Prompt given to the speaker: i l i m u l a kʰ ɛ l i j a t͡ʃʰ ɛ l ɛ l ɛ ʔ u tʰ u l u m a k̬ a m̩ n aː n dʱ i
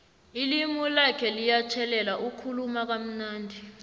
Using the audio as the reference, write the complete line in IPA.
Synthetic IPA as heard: i l i m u l a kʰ ɛ l i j a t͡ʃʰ ɛ l ɛ l a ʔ u kʰ u l u m a k̬ a m̩ n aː n dʱ i